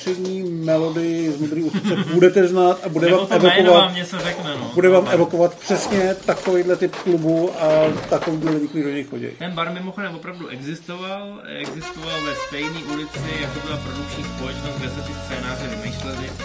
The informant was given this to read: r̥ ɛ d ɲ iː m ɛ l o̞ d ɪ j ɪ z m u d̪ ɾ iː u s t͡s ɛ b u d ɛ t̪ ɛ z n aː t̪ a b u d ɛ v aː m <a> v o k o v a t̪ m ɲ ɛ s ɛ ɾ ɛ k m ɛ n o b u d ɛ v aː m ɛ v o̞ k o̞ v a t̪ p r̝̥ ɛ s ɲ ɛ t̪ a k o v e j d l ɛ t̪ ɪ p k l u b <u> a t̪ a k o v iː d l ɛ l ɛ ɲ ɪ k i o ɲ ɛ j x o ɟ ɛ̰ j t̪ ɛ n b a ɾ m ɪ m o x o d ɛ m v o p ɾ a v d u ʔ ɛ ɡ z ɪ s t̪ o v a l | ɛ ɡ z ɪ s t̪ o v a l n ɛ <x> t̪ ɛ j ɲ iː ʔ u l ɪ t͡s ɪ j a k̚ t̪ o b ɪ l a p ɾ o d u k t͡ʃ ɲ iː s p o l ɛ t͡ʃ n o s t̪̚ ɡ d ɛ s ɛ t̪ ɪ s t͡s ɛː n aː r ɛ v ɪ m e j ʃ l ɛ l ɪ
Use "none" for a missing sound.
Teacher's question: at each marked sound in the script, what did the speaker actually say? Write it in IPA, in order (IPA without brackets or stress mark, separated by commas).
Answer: ɛ, u, s